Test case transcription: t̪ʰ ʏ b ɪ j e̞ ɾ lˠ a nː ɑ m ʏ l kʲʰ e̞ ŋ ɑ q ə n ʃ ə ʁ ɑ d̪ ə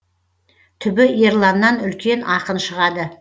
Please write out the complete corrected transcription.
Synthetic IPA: t̪ʰ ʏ b ɪ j e̞ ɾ lˠ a nː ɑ n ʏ l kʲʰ e̞ n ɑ q ə n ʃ ə ʁ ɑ d̪ ə

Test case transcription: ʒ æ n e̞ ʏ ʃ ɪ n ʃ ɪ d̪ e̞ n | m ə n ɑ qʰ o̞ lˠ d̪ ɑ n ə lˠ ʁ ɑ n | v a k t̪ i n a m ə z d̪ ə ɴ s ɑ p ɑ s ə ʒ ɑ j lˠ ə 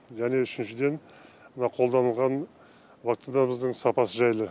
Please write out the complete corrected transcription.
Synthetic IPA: ʒ æ n e̞ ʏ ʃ ɪ n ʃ ɪ d̪ e̞ n | m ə n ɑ qʰ o̞ lˠ d̪ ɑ n ə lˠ ʁ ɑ n | v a k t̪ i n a m ə z d̪ ə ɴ s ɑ p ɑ s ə ʒ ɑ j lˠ ə

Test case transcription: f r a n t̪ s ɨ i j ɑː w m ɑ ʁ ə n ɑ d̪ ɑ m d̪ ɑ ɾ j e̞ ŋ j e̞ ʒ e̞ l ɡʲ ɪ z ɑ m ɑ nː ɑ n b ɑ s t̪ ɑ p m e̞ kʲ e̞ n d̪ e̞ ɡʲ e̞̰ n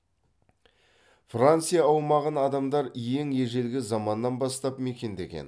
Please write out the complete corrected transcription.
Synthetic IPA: f r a n t̪ s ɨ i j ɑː w m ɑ ʁ ə n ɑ d̪ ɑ m d̪ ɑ ɾ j e̞ ŋ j e̞ ʒ e̞ l ɡʲ ɪ z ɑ m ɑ nː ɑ n b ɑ s t̪ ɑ p m e̞ kʲ e̞ n d̪ e̞ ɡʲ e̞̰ n

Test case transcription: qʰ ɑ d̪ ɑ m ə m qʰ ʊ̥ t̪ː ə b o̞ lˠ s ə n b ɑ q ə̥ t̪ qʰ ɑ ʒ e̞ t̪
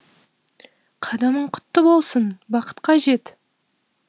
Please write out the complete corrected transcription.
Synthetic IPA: qʰ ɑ d̪ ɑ m ə ɴ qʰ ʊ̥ t̪ː ə b o̞ lˠ s ə n b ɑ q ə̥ t̪ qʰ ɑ ʒ e̞ t̪

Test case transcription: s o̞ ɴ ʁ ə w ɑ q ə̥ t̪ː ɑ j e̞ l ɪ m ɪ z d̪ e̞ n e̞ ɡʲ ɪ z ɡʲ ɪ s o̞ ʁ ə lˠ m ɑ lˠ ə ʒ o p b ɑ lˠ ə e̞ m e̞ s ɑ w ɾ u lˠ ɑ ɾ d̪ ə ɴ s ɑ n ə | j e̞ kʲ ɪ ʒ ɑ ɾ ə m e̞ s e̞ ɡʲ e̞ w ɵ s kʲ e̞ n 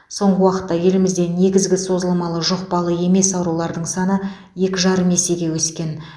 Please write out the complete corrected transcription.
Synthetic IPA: s o̞ ɴ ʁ ə w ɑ q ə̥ t̪ː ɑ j e̞ l ɪ m ɪ z d̪ e̞ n e̞ ɡʲ ɪ z ɡʲ ɪ s o̞ z ə lˠ m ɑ lˠ ə ʒ o q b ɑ lˠ ə e̞ m e̞ s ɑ w ɾ u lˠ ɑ ɾ d̪ ə ɴ s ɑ n ə | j e̞ kʲ ɪ ʒ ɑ ɾ ə m e̞ s e̞ ɡʲ e̞ w ɵ s kʲ e̞ n

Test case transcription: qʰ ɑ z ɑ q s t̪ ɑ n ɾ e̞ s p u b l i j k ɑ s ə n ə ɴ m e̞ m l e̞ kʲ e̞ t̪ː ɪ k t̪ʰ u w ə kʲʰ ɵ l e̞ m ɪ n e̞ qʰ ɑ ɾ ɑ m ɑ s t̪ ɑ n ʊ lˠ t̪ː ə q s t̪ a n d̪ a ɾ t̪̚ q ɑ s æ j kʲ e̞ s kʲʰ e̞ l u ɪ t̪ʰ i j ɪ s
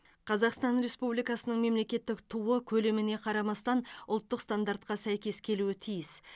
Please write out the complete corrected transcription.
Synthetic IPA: qʰ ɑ z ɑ q s t̪ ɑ n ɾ e̞ s p u b l i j k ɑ s ə n ə ɴ m e̞ m l e̞ kʲ e̞ t̪ː ɪ k t̪ʰ u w ə kʲʰ ɵ l e̞ m ɪ n e̞ qʰ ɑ ɾ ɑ m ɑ s t̪ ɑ n ʊ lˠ t̪ː ə q s t̪ a n d̪ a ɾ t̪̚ q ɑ s æ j kʲ e̞ s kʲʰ e̞ l u ɪ t̪ʰ i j ɪ s

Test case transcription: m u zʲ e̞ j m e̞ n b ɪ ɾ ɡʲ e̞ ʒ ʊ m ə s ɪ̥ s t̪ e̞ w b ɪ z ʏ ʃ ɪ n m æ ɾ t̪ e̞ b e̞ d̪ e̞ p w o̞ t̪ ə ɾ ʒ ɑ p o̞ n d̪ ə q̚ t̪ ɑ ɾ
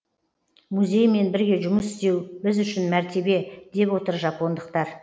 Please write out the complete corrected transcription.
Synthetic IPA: m u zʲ e̞ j m e̞ n b ɪ ɾ ɡʲ e̞ ʒ ʊ m ə s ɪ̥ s t̪ e̞ w b ɪ z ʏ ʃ ɪ n m æ ɾ t̪ e̞ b e̞ d̪ e̞ p w o̞ t̪ ə ɾ ʒ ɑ p o̞ n d̪ ə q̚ t̪ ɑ ɾ

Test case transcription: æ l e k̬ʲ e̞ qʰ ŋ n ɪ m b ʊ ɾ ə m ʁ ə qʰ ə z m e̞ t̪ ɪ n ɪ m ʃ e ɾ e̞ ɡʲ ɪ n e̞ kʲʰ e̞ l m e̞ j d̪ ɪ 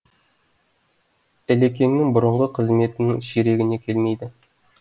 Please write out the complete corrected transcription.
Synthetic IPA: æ l e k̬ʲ e̞ ŋ n ɪ ŋ b ʊ ɾ ə ɴ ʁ ə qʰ ə z m e̞ t̪ ɪ n ɪ ŋ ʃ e ɾ e̞ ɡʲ ɪ n e̞ kʲʰ e̞ l m e̞ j d̪ ɪ

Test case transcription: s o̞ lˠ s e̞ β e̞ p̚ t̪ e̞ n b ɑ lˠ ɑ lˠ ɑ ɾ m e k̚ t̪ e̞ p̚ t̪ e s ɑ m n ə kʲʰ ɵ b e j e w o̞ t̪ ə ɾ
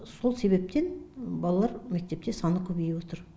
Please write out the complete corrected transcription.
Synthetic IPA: s o̞ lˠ s e̞ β e̞ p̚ t̪ e̞ n b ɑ lˠ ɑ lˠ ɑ ɾ m e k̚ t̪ e̞ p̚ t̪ e s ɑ n ə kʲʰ ɵ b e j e w o̞ t̪ ə ɾ

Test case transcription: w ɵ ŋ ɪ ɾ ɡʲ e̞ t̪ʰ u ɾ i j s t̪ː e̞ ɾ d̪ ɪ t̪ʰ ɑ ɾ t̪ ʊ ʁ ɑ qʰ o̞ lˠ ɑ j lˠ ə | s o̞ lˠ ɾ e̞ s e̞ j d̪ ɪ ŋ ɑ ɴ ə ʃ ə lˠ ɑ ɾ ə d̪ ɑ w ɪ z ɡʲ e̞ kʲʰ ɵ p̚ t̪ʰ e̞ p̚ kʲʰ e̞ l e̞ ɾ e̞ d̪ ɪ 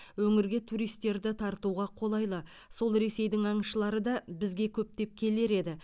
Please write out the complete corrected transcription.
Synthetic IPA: w ɵ ŋ ɪ ɾ ɡʲ e̞ t̪ʰ u ɾ i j s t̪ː e̞ ɾ d̪ ɪ t̪ʰ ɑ ɾ t̪ u ʁ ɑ qʰ o̞ lˠ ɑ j lˠ ə | s o̞ lˠ ɾ e̞ s e̞ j d̪ ɪ ŋ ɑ ɴ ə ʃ ə lˠ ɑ ɾ ə d̪ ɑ b ɪ z ɡʲ e̞ kʲʰ ɵ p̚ t̪ e̞ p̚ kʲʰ e̞ l e̞ ɾ e̞ d̪ ɪ

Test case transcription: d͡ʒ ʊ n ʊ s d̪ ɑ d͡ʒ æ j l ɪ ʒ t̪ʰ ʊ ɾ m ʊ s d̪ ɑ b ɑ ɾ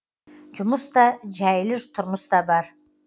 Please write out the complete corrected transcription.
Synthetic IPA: d͡ʒ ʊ m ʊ s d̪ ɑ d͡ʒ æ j l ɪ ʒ t̪ʰ ʊ ɾ m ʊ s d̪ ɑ b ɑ ɾ

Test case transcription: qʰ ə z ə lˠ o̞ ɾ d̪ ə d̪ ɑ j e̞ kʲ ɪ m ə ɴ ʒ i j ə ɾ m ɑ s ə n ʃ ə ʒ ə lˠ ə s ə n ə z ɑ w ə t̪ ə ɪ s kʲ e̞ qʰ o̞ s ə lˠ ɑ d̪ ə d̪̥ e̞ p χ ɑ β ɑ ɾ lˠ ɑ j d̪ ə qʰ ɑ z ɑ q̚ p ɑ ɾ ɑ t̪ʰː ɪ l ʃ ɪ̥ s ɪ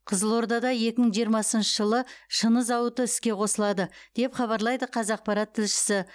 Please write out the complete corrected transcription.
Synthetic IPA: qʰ ə z ə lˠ o̞ ɾ d̪ ɑ d̪ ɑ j e̞ kʲ ɪ m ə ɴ ʒ i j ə ɾ m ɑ s ə n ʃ ə ʒ ə lˠ ə ʃ ə n ə z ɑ w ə t̪ ə ɪ s kʲ e̞ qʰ o̞ s ə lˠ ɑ d̪ ə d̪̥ e̞ p χ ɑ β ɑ ɾ lˠ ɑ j d̪ ə qʰ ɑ z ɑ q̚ p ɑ ɾ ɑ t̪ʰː ɪ l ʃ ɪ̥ s ɪ

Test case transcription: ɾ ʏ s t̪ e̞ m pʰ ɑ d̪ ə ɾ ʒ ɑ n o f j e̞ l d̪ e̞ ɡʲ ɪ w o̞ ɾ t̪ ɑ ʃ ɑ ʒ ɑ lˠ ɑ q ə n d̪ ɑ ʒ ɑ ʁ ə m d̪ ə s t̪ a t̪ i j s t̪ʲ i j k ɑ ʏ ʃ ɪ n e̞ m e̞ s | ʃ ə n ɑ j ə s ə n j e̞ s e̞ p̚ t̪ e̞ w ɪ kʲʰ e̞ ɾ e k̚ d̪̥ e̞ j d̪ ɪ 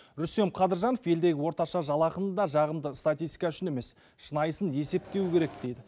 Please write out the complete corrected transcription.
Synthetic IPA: ɾ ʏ s t̪ e̞ m qʰ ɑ d̪ ə ɾ ʒ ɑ n o f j e̞ l d̪ e̞ ɡʲ ɪ w o̞ ɾ t̪ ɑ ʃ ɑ ʒ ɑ lˠ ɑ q ə n d̪ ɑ ʒ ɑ ʁ ə m d̪ ə s t̪ a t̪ i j s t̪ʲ i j k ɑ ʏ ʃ ɪ n e̞ m e̞ s | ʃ ə n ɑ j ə s ə n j e̞ s e̞ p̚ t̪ e̞ w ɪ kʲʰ e̞ ɾ e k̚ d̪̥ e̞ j d̪ ɪ

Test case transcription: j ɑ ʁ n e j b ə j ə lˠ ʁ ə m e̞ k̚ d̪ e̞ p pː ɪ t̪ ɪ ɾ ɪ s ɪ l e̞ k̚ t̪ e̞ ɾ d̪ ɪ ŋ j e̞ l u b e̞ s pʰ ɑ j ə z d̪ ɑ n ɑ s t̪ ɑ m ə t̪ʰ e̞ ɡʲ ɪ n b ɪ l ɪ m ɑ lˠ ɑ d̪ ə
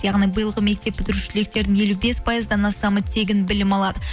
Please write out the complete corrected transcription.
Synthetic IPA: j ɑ ʁ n i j b ə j ə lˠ ʁ ə m e̞ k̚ t̪ e̞ p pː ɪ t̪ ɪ ɾ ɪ ʃ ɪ l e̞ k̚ t̪ e̞ ɾ d̪ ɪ ŋ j e̞ l u b e̞ s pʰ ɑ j ə z d̪ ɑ n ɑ s t̪ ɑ m ə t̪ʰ e̞ ɡʲ ɪ n b ɪ l ɪ m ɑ lˠ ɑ d̪ ə

